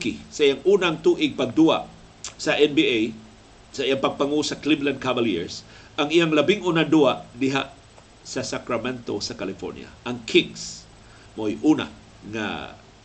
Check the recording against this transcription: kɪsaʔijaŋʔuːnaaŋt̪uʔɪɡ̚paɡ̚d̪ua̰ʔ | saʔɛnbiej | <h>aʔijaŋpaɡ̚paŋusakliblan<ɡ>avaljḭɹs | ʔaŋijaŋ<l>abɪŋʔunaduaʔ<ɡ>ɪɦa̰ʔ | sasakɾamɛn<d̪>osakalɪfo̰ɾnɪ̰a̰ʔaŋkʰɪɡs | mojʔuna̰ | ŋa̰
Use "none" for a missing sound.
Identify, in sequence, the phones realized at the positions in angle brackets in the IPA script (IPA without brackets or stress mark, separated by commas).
s, k, l, d, t̪